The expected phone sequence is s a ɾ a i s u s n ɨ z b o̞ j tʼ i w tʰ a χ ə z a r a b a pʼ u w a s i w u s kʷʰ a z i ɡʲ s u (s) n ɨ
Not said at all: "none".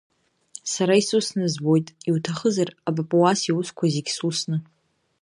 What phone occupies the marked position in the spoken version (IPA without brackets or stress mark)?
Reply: s